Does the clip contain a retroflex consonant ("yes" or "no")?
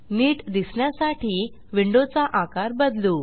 yes